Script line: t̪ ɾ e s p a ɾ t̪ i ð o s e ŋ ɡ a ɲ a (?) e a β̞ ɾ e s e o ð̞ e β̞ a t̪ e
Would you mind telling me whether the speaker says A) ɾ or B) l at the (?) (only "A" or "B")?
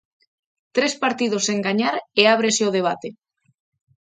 A